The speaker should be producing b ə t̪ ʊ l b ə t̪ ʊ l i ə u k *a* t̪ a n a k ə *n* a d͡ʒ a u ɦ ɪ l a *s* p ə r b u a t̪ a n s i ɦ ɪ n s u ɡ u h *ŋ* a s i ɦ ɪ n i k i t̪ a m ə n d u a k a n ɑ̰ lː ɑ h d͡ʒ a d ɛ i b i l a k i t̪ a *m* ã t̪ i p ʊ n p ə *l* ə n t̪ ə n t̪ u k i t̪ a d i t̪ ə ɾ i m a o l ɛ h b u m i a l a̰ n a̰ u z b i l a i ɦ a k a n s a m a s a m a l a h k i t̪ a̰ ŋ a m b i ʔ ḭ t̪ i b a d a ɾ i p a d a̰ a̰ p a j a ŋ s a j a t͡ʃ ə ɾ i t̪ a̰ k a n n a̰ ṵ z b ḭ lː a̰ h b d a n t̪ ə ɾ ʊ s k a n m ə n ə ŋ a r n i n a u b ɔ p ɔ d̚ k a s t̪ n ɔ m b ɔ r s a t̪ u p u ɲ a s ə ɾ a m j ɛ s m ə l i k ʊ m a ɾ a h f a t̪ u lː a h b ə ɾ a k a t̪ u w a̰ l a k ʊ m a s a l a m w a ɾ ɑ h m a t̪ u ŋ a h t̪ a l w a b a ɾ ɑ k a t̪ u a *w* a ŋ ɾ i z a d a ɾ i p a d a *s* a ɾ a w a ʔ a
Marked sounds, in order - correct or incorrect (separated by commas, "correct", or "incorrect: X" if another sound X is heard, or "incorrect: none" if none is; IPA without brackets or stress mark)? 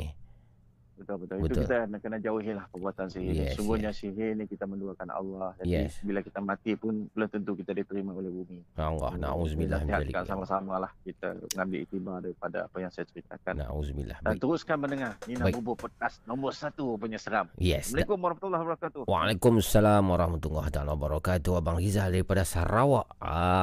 incorrect: i, correct, incorrect: h, incorrect: ɲ, correct, correct, incorrect: b, correct